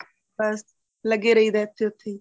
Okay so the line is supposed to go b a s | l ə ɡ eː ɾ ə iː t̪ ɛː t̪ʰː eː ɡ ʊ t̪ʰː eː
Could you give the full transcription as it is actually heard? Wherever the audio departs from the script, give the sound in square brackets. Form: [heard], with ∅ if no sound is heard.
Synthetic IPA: b [ə] s | l ə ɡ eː ɾ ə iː [d̪] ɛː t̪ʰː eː [∅] ʊ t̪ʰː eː